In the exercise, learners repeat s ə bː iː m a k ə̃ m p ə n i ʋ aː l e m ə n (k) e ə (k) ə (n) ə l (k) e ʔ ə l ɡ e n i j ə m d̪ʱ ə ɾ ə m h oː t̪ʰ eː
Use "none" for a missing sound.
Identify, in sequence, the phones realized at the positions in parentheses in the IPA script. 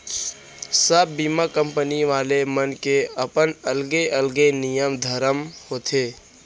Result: k, p, n, ɡ

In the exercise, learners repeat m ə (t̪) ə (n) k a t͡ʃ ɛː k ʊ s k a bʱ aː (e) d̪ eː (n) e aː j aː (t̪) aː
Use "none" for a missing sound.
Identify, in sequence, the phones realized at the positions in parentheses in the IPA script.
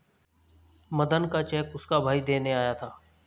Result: d̪, n, i, n, t̪ʰ

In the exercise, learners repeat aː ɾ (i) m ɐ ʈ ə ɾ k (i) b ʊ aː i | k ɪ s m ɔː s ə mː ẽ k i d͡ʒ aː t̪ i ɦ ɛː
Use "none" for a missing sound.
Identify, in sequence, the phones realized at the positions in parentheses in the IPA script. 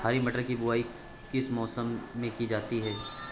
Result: i, i

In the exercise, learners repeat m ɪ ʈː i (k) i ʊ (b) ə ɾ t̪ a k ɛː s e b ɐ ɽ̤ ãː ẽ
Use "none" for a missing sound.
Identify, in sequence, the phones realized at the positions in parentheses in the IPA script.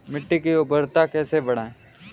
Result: k, b

